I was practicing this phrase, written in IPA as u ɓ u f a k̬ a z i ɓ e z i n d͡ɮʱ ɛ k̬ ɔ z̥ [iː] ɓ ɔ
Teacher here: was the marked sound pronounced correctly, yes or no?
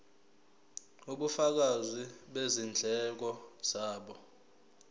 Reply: no